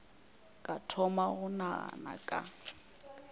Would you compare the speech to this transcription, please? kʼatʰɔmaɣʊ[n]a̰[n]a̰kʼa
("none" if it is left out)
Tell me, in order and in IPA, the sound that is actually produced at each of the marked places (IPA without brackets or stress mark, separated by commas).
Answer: n, n